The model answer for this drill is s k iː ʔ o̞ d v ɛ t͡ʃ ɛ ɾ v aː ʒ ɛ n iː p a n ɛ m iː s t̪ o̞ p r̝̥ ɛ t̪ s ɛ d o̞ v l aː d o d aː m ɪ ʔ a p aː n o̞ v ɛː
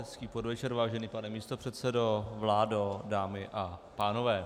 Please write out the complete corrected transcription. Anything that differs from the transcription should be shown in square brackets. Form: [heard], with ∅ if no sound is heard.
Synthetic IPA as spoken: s k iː [p] o̞ d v ɛ t͡ʃ ɛ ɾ v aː ʒ ɛ n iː p a n ɛ m iː s t̪ o̞ p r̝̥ ɛ t̪ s ɛ d o̞ v l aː d o d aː m ɪ ʔ a p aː n o̞ v ɛː